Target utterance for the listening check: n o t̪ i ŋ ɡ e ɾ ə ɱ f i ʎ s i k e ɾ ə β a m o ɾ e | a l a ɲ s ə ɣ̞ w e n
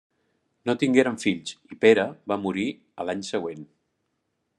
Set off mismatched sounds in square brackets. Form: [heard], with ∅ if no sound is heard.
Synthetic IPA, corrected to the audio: n o t̪ i ŋ ɡ e ɾ ə ɱ f i ʎ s i [p] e ɾ ə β a m [u] ɾ [i] | [ə] l a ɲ s ə ɣ̞ w e n